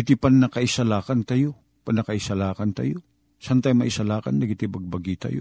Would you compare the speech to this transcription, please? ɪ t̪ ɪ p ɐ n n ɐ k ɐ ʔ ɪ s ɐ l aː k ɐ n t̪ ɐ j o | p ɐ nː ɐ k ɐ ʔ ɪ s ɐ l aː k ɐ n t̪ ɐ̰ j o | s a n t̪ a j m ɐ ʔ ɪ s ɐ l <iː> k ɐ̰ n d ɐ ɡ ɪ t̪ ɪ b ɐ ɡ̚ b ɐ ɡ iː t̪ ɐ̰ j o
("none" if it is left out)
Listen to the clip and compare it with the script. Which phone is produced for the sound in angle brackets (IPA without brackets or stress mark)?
aː